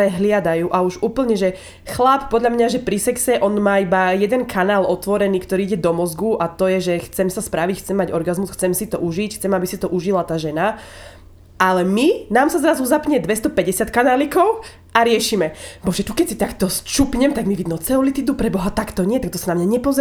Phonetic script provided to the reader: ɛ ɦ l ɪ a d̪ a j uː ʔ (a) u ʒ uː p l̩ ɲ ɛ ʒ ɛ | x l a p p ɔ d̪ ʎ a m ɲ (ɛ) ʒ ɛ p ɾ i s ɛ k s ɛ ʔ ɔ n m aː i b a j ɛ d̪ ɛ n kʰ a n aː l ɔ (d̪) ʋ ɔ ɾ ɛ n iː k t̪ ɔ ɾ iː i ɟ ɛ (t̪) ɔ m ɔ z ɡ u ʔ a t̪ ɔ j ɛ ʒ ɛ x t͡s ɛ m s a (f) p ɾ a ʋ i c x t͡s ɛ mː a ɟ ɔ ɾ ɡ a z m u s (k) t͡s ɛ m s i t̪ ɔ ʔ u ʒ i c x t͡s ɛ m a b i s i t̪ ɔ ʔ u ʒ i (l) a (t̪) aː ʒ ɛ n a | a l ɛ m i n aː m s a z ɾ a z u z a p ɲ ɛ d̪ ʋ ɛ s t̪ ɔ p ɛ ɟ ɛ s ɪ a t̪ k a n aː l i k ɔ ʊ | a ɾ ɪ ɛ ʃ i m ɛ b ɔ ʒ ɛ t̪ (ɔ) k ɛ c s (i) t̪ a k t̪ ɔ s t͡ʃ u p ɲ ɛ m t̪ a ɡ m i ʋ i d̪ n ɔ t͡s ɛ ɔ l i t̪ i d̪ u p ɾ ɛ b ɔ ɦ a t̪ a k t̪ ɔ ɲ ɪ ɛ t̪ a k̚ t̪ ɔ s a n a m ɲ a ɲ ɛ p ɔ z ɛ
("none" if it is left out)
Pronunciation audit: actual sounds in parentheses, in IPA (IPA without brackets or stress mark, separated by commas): a, a, t̪, d̪, s, x, l, t̪, u, i